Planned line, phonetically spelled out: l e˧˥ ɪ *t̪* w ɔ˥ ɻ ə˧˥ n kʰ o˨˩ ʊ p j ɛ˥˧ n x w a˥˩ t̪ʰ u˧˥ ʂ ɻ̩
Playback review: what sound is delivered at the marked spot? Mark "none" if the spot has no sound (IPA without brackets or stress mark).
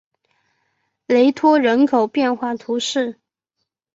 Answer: t̪ʰ